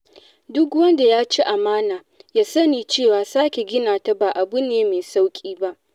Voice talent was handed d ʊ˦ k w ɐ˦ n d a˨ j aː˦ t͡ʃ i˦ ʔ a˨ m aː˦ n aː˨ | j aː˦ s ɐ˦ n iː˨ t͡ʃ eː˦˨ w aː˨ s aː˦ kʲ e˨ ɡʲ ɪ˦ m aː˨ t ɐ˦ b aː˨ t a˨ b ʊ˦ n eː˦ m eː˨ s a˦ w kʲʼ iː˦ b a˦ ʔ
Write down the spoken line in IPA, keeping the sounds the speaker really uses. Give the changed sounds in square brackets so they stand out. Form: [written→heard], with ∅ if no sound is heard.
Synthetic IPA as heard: d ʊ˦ k w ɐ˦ n d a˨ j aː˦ t͡ʃ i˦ ʔ a˨ m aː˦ n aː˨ | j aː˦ s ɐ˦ n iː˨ t͡ʃ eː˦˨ w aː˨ s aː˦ kʲ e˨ ɡʲ ɪ˦ [m→n] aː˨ t [ɐ˦→a˦] b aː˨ [t→ʔ] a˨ b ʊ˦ n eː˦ m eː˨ s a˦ w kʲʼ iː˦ b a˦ ʔ